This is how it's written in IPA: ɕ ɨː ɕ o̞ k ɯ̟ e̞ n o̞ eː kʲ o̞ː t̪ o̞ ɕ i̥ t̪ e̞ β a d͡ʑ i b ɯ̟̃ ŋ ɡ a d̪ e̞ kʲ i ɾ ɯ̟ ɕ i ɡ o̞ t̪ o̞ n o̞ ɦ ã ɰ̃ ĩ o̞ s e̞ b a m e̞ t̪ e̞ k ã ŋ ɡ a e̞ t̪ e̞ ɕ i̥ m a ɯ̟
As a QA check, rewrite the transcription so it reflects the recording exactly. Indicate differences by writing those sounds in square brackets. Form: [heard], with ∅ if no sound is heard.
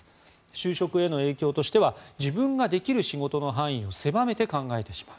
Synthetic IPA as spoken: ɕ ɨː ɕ o̞ k ɯ̟ e̞ n o̞ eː kʲ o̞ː t̪ o̞ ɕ i̥ t̪ e̞ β a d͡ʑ i b ɯ̟̃ ŋ ɡ a d̪ e̞ kʲ i ɾ ɯ̟ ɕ i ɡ o̞ t̪ o̞ n o̞ ɦ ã ɰ̃ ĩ o̞ s e̞ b a m e̞ t̪ e̞ k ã ŋ ɡ a e̞ t̪ e̞ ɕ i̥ m a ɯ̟